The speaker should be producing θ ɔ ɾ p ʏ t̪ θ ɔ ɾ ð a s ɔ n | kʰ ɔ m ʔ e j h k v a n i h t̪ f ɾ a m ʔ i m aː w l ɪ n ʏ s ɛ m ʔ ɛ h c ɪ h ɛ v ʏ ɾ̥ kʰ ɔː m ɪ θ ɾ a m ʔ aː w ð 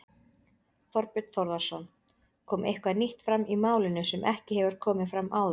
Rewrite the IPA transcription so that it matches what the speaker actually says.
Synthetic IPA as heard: θ ɔ ɾ p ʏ t̪ θ ɔ ɾ ð a s ɔ n | kʰ ɔː m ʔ e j h k v a n i h t̪ f ɾ a m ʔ i m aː w l ɪ n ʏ s ɛ m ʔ ɛ h c ɪ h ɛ v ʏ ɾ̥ kʰ ɔː m ɪ f ɾ a m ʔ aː w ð